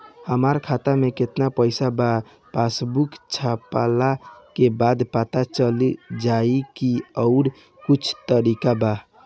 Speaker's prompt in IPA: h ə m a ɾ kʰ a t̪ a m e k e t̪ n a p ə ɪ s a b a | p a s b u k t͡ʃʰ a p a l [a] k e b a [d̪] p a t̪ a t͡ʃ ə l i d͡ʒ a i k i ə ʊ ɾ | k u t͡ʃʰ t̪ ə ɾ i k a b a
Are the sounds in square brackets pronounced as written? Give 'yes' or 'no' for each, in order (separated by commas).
yes, yes